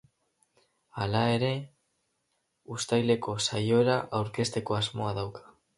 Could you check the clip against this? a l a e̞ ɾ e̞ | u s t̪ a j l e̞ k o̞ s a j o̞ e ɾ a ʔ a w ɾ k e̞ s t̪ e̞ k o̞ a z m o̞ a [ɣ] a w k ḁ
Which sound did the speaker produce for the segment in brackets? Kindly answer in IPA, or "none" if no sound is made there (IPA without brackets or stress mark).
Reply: ð